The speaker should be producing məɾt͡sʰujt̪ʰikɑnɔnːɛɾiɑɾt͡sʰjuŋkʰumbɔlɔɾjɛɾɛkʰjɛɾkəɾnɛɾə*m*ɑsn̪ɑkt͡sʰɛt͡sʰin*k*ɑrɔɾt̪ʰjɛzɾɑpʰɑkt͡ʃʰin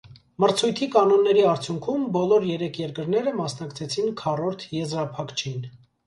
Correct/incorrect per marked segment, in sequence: correct, incorrect

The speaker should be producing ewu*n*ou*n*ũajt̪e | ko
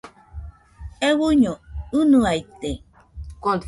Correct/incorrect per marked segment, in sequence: incorrect, correct

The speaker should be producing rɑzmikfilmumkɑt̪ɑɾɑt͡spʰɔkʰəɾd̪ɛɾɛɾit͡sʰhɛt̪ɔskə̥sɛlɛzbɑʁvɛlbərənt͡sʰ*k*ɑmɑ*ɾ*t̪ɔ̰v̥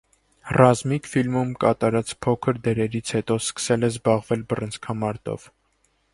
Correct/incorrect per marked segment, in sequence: incorrect, correct

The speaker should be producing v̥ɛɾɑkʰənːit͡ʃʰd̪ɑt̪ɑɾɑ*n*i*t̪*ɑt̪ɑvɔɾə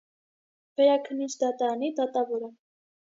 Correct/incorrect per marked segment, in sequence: correct, incorrect

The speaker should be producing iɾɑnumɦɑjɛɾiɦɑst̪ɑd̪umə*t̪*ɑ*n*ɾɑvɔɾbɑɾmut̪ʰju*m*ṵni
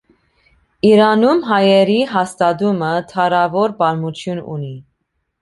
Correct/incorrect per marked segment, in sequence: incorrect, incorrect, incorrect

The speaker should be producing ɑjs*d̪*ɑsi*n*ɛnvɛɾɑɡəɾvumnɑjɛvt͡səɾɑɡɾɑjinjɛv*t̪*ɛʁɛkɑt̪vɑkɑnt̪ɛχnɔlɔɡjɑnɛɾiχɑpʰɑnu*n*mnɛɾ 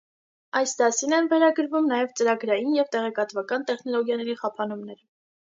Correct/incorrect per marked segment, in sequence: correct, correct, correct, incorrect

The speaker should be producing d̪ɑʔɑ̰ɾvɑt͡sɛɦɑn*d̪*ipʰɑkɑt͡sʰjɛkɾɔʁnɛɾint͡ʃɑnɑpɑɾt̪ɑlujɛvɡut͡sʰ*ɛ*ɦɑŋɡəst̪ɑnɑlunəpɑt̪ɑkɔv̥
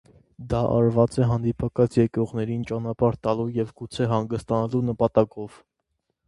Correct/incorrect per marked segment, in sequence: correct, correct

